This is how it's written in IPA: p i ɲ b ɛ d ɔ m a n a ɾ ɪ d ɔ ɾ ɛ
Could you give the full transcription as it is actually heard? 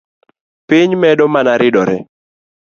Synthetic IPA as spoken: p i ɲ m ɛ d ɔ m a n a ɾ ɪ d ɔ ɾ ɛ